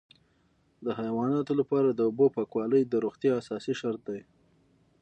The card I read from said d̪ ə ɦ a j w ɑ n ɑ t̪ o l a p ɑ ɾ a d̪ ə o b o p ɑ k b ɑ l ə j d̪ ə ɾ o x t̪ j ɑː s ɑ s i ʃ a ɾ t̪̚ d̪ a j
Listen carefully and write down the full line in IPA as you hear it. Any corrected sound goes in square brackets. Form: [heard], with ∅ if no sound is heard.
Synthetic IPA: d̪ ə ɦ a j w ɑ n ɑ t̪ o l a p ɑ ɾ a d̪ ə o b o p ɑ k [w] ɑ l ə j d̪ ə ɾ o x t̪ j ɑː s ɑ s i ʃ a ɾ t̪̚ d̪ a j